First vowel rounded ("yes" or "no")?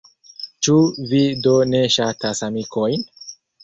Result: yes